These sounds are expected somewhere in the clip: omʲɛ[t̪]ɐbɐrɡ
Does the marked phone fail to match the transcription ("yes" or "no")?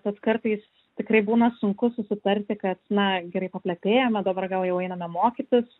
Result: yes